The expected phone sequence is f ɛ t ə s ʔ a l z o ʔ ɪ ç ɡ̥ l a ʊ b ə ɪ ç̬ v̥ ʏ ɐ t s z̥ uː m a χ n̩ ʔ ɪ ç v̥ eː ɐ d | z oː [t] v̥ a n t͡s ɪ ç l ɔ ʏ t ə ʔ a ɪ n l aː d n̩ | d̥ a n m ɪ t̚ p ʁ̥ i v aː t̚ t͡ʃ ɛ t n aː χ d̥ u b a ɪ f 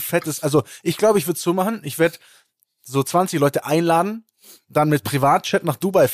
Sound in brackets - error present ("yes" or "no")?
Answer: yes